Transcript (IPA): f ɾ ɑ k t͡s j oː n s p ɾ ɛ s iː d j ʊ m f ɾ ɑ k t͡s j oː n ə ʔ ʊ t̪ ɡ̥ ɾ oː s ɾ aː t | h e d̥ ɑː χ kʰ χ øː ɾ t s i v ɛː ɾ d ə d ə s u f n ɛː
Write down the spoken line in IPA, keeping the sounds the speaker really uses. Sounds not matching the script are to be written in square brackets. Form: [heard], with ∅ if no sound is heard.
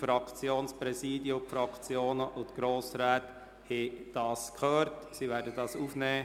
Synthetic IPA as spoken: f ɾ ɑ k t͡s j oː n s p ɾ ɛ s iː d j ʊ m f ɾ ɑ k t͡s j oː n ə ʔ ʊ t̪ ɡ̥ ɾ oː s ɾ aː t | h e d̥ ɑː [s] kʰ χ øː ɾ t s i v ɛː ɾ d ə d [ɑ] s u f n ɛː